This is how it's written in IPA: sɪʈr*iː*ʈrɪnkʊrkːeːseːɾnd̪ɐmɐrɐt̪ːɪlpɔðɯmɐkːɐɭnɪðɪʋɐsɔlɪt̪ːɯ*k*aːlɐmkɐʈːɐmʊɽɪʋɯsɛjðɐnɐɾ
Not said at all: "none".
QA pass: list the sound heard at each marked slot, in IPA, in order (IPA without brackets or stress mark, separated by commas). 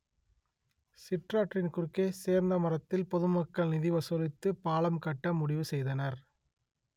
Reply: aː, p